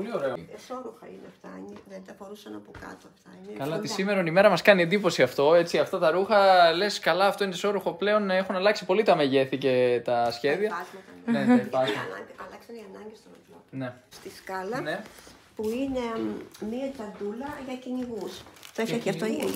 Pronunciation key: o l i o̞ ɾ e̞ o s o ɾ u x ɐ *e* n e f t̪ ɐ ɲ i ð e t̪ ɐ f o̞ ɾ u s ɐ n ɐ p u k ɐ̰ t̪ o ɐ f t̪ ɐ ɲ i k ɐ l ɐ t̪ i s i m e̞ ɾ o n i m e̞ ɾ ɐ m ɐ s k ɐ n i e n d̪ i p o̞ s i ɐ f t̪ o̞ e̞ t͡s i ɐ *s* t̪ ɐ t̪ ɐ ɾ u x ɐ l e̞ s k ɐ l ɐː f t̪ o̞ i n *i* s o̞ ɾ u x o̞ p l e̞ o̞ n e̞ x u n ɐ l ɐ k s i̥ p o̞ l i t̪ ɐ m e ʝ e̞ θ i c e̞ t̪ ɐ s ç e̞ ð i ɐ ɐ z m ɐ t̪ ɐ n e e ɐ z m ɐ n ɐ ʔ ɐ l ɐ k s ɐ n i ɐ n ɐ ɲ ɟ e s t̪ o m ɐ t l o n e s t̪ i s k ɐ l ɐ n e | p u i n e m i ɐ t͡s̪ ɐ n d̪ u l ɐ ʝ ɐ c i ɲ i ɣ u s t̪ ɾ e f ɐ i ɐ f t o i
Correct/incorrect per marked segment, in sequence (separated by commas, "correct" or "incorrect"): incorrect, incorrect, incorrect